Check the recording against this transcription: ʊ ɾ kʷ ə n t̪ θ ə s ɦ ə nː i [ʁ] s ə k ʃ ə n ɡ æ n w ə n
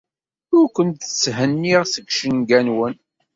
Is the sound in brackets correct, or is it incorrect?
correct